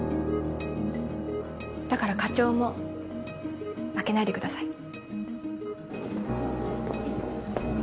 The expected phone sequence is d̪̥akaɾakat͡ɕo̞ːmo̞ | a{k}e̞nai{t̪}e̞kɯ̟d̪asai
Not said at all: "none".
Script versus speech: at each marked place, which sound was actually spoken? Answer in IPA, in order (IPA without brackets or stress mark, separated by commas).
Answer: k, d̪